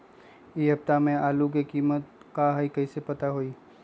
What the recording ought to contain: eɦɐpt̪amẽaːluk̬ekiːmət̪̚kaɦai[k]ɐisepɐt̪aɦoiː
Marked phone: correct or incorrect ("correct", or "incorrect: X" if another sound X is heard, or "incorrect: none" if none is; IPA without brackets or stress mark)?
correct